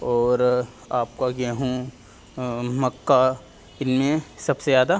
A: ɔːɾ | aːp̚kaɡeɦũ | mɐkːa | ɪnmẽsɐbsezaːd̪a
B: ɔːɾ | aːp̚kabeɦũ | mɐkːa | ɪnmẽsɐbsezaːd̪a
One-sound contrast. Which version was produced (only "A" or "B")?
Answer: A